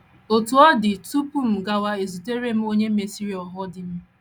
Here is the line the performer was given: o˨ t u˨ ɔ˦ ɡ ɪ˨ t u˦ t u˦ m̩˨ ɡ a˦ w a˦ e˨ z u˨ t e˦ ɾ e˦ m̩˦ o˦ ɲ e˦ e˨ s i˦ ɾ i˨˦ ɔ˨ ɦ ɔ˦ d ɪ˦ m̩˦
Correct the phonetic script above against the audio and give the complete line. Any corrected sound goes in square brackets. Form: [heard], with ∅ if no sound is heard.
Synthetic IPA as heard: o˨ t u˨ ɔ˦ [d] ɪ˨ t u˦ [p] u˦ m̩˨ ɡ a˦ w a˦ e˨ z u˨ t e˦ ɾ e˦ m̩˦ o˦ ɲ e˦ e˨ s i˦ ɾ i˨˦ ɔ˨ ɦ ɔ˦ d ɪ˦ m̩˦